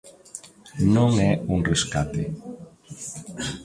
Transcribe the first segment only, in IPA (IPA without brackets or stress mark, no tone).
n